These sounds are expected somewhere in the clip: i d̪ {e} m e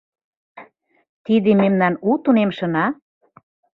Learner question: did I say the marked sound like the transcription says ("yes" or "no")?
yes